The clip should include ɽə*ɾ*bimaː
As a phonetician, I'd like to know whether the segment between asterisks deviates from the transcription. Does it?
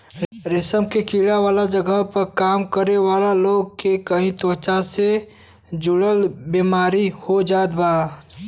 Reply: yes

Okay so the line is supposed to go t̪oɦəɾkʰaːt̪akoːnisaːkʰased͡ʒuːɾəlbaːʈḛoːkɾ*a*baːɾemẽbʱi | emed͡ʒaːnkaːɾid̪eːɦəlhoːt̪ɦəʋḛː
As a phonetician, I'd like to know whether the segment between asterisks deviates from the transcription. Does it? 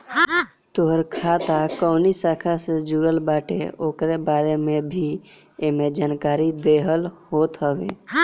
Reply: yes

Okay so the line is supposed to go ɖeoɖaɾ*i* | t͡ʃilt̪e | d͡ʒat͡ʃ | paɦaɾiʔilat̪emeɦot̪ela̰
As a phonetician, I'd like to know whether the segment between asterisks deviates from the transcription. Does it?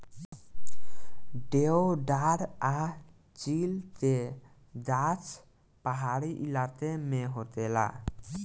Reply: yes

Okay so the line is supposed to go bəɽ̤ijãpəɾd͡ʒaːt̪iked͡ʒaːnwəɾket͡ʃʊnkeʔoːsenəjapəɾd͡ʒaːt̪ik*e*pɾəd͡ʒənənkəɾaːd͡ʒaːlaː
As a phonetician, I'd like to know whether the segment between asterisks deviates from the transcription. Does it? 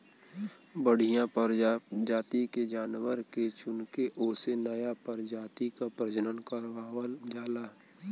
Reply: yes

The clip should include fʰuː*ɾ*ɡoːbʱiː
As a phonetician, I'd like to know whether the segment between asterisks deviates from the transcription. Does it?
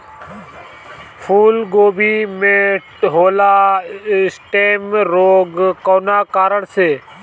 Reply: yes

